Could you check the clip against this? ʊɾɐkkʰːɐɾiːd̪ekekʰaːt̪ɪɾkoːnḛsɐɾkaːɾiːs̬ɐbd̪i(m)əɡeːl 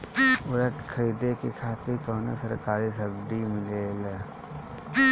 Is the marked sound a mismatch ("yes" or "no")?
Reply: no